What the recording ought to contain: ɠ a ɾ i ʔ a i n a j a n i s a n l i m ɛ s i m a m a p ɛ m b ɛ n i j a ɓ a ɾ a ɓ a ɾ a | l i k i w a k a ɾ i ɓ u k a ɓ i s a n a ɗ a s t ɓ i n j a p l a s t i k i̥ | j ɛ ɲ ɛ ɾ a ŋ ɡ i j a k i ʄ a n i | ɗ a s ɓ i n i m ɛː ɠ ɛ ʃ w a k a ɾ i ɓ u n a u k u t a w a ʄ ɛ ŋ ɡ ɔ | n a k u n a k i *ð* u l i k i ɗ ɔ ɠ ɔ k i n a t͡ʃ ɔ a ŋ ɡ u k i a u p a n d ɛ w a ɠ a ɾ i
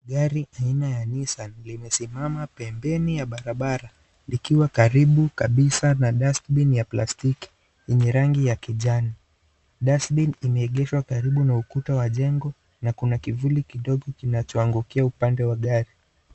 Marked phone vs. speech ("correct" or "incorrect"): incorrect